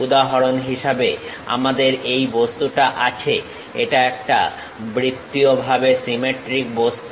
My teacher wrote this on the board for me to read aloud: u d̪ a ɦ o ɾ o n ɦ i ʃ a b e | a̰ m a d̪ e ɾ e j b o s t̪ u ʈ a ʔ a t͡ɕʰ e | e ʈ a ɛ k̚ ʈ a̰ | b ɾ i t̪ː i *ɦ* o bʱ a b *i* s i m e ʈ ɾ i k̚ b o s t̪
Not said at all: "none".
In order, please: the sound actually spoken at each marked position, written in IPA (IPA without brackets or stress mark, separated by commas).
none, e